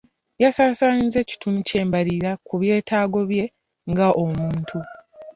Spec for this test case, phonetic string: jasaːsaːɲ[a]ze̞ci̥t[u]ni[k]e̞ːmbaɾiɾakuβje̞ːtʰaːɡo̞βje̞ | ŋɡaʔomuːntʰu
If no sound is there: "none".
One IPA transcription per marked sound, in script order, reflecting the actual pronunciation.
i, u, c

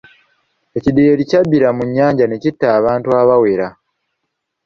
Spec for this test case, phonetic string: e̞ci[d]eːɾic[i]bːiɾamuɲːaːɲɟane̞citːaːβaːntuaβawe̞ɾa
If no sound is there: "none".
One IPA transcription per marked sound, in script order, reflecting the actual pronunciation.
d, a

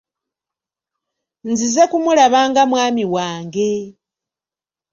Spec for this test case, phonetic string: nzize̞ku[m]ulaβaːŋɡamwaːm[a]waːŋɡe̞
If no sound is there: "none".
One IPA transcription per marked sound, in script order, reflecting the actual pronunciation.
m, i

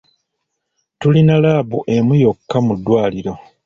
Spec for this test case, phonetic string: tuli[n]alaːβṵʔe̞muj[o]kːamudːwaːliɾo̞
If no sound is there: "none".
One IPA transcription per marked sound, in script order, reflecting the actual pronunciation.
n, o

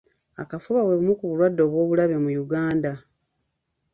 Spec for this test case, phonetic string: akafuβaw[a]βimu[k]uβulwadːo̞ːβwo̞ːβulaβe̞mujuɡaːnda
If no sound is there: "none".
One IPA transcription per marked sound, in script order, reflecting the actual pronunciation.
e, k

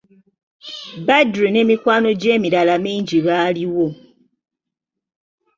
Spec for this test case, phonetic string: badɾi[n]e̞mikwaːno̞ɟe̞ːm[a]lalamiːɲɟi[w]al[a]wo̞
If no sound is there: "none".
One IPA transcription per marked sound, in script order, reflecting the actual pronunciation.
n, i, β, i

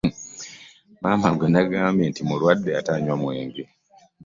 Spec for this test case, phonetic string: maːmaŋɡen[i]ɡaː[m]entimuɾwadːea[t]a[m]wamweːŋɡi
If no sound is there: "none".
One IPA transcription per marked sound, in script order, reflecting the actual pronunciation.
a, m, t, ɲ

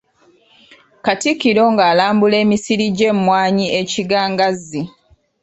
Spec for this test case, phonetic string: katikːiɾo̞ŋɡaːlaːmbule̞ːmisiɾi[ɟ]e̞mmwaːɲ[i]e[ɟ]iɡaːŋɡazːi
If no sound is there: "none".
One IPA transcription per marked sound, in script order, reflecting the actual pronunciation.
ɟ, i, c

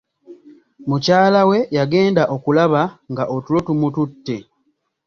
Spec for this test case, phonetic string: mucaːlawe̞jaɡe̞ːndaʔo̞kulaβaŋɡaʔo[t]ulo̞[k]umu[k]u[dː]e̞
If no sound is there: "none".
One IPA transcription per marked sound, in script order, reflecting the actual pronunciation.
t, t, t, tː

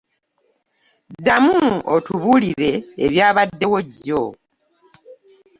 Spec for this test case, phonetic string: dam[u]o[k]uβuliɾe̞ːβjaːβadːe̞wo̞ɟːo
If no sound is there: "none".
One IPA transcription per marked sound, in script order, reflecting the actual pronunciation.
u, t

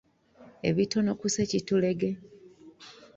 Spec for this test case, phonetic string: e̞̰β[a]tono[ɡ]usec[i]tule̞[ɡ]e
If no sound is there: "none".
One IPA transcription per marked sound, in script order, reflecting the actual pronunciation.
i, k, i, ɡ

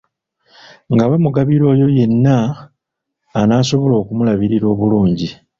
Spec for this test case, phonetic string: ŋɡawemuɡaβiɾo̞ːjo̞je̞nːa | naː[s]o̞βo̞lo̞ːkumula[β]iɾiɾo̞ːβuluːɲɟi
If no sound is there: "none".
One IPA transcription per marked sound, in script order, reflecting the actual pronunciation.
s, β

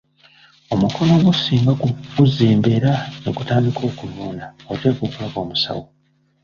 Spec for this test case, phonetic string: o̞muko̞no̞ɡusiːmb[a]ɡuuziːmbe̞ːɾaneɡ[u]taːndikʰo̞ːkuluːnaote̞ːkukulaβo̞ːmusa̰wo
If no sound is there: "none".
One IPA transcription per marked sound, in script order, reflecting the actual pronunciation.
a, u

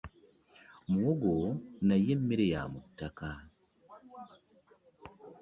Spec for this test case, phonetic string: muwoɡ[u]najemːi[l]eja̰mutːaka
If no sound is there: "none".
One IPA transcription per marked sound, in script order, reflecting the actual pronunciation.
o, ɾ

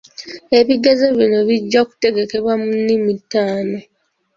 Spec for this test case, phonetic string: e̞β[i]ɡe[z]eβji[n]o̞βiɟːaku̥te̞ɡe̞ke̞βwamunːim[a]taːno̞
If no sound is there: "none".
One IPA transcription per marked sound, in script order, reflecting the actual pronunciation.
i, z, n, i

